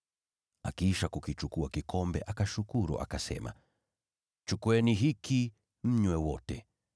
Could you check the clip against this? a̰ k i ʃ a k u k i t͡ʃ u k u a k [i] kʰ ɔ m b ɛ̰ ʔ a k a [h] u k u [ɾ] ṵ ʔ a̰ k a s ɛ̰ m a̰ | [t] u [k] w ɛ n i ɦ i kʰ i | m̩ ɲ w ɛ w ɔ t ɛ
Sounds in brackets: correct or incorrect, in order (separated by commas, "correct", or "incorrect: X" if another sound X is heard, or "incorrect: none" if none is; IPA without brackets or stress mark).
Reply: correct, incorrect: ʃ, correct, incorrect: t͡ʃ, correct